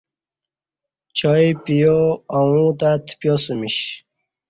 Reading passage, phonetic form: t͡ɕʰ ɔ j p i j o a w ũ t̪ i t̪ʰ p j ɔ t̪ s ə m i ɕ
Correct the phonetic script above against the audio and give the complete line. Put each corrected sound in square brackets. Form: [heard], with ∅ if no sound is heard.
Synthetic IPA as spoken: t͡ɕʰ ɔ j p i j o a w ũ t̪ [a] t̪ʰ p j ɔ [∅] s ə m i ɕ